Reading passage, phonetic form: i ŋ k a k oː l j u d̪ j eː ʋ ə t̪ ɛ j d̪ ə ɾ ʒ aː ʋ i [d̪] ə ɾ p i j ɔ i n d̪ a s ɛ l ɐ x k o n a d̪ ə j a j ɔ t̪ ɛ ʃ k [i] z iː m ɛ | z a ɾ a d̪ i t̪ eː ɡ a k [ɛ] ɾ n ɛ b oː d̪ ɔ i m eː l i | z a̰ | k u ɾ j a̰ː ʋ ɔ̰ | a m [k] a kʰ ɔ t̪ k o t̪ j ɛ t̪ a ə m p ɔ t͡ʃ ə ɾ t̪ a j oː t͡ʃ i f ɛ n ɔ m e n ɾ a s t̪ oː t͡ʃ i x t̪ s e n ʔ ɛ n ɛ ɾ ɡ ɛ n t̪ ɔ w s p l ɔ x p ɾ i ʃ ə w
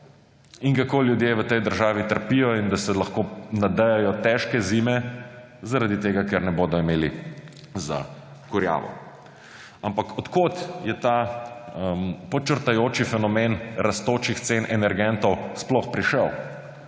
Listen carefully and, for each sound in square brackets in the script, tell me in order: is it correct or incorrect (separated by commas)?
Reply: incorrect, incorrect, correct, incorrect